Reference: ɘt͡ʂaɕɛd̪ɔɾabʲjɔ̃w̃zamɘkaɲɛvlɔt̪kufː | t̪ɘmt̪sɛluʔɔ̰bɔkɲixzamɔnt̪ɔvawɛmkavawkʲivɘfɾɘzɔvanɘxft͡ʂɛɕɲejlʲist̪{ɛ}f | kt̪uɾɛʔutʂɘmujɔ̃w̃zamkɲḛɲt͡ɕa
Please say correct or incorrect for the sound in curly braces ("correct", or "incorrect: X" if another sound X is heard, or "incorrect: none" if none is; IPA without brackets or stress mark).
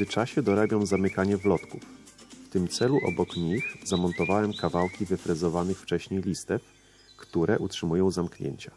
correct